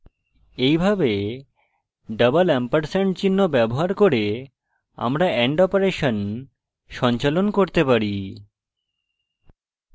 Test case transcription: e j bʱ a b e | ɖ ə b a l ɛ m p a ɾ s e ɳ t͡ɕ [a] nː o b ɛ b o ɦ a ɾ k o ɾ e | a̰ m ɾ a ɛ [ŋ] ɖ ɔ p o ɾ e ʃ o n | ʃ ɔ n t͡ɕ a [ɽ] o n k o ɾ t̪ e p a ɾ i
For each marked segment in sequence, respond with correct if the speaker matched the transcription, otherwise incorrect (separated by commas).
incorrect, incorrect, incorrect